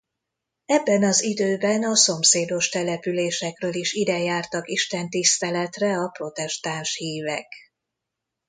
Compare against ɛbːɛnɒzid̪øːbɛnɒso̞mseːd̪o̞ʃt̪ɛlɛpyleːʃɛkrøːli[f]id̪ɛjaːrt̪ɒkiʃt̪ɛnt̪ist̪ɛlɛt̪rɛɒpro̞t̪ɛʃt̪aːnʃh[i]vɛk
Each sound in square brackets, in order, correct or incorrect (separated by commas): incorrect, incorrect